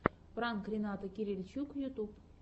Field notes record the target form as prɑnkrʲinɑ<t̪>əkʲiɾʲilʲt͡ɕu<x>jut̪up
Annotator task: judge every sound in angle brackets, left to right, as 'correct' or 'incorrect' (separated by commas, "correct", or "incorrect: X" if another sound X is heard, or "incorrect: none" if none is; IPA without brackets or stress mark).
correct, incorrect: k